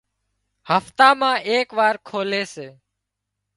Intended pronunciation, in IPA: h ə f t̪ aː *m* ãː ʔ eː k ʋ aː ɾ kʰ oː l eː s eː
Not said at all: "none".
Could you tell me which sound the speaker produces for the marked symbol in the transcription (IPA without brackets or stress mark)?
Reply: m